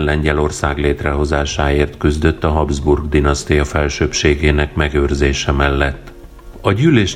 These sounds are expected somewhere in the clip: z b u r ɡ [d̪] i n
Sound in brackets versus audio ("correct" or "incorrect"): correct